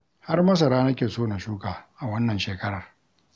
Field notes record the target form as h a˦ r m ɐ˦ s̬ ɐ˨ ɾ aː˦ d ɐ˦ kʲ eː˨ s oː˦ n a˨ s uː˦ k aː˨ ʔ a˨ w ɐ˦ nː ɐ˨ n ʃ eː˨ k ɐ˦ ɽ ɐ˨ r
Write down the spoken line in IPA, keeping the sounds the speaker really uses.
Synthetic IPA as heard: h a˦ r m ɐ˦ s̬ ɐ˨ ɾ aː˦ n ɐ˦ kʲ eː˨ s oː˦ n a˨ ʃ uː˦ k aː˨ ʔ a˨ w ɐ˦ nː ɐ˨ n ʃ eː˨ k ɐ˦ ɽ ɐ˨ r